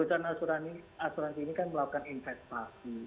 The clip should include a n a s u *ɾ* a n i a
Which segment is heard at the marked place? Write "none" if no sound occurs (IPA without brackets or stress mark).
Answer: ɾ